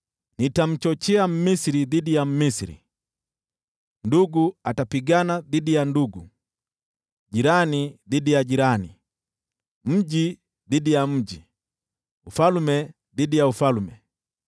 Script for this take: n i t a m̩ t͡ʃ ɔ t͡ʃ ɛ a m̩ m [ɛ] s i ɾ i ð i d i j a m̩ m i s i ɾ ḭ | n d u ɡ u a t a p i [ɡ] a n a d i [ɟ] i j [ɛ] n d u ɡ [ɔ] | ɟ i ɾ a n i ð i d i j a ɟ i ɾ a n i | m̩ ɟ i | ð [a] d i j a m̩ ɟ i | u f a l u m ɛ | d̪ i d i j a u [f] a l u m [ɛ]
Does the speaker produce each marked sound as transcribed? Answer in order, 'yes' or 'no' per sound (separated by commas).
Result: no, yes, no, no, no, no, yes, yes